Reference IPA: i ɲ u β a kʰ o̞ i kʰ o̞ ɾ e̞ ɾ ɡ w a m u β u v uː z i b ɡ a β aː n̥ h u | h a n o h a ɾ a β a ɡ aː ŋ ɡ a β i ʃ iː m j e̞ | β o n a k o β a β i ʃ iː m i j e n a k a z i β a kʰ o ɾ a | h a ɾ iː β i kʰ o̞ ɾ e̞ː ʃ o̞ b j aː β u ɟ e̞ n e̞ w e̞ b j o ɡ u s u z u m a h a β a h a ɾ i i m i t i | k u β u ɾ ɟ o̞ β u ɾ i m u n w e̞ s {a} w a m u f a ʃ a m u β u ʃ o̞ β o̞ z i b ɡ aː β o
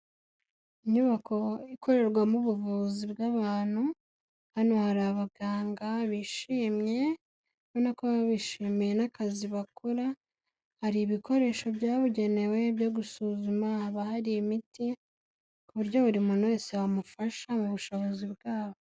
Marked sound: incorrect: e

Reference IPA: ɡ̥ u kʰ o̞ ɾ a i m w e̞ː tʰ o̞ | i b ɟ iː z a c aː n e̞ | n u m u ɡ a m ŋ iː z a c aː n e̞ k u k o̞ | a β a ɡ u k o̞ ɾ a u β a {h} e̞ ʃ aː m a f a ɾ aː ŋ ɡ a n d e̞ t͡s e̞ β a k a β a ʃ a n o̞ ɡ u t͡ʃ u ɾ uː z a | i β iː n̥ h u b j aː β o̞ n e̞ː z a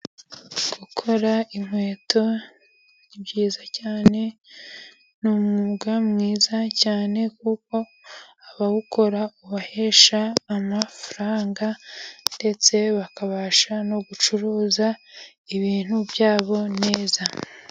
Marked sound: correct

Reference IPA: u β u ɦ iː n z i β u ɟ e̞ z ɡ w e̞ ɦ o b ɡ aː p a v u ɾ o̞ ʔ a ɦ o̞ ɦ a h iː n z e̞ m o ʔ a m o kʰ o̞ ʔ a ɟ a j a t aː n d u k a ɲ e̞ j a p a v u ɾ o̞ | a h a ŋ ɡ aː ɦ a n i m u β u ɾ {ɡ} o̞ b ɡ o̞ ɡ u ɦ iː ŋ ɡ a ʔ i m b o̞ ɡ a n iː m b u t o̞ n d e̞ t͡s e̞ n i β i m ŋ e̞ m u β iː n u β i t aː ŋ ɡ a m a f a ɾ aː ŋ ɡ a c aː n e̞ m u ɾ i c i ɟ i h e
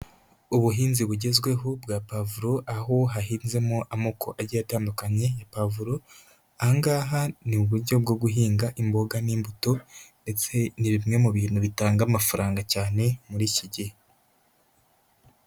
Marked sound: incorrect: ɟ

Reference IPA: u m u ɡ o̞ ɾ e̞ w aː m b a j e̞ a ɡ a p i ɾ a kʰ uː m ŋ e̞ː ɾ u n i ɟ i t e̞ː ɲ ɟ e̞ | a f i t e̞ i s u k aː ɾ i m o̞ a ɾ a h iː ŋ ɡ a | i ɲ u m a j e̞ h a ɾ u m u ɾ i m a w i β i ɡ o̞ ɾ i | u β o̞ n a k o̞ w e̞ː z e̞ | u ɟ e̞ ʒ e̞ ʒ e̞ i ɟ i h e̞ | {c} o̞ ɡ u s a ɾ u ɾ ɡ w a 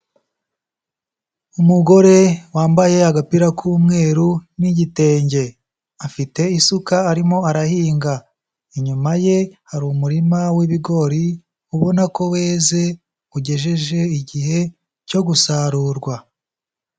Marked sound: correct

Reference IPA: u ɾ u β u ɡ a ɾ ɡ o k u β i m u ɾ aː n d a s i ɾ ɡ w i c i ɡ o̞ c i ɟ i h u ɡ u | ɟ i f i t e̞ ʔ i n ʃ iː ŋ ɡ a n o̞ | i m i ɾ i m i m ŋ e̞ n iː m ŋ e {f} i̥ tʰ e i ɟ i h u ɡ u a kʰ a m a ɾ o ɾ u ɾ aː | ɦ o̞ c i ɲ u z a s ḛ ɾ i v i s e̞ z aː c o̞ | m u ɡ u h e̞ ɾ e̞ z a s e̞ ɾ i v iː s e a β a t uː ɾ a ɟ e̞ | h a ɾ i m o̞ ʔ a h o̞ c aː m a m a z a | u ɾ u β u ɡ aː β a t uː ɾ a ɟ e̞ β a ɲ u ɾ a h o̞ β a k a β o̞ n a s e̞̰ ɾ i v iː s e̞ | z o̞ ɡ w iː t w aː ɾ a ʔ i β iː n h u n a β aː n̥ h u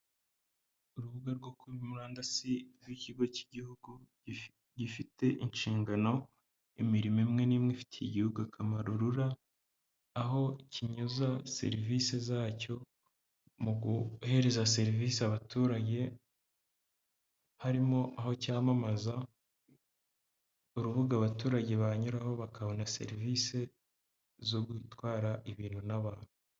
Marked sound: correct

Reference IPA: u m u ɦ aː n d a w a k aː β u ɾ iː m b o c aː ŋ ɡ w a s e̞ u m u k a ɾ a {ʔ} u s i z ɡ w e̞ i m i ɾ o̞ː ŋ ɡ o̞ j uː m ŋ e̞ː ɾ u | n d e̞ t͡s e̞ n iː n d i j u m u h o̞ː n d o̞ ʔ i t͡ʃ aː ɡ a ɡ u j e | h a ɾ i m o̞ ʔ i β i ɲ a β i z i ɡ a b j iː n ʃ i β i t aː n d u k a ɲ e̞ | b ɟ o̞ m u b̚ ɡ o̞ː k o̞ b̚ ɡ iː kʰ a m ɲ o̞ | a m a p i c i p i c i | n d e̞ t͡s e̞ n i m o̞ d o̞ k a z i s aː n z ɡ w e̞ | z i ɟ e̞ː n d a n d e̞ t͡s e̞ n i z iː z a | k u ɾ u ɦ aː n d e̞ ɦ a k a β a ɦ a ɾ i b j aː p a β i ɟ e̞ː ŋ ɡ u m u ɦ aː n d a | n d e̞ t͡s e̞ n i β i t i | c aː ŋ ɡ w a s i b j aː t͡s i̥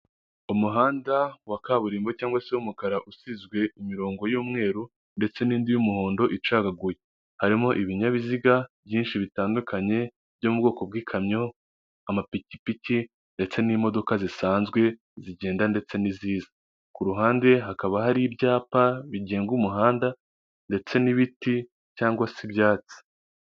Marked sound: correct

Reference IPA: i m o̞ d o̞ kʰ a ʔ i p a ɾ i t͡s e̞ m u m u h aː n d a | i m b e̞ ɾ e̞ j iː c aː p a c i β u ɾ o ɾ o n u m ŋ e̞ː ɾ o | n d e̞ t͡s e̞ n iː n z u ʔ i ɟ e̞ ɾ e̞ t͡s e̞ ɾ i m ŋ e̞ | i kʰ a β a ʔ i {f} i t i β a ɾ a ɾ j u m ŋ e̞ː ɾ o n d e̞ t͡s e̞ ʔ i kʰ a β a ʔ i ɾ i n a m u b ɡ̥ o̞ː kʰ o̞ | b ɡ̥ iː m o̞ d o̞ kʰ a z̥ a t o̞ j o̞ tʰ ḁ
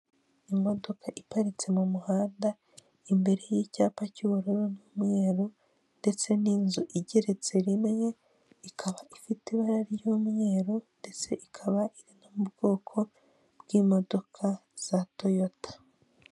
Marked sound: correct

